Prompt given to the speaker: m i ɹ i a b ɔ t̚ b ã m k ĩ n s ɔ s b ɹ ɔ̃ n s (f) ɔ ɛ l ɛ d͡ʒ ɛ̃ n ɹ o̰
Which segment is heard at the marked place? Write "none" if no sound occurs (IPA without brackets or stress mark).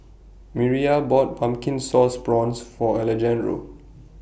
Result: f